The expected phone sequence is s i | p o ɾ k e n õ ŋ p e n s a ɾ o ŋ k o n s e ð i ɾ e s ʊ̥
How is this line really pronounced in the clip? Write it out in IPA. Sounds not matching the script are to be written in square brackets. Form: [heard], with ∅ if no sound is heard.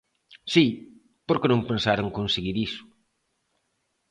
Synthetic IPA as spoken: s i | p o ɾ k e n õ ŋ p e n s a ɾ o ŋ k o n s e [ɣ] i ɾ [i] s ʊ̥